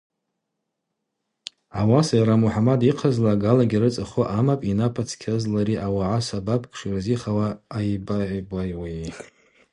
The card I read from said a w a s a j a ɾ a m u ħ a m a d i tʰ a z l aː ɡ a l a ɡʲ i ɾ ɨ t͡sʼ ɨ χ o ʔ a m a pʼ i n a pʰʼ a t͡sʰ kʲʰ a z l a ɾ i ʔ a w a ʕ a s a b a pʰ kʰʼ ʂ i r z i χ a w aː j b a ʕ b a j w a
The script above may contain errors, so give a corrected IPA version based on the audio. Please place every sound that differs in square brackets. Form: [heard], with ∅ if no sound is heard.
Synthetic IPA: a w a s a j a ɾ a m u ħ a m a d i [qʰ] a z l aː ɡ a l a ɡʲ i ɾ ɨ t͡sʼ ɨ χ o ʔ a m a pʼ i n a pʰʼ a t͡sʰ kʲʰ a z l a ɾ i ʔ a w a ʕ a s a b a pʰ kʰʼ ʂ i r z i χ a w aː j b a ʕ b a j w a